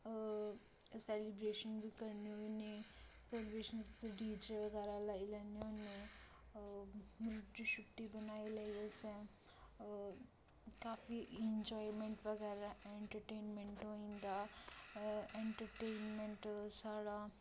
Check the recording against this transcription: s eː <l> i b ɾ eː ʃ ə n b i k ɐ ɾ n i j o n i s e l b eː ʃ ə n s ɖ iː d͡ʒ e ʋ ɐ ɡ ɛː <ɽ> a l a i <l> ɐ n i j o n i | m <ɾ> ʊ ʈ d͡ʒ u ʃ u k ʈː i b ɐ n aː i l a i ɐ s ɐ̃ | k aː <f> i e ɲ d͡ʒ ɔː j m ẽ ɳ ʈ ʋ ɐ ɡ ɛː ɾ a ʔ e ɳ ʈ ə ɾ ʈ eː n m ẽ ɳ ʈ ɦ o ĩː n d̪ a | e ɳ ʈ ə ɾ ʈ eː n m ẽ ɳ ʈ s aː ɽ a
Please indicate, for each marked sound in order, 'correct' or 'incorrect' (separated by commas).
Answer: correct, incorrect, correct, correct, correct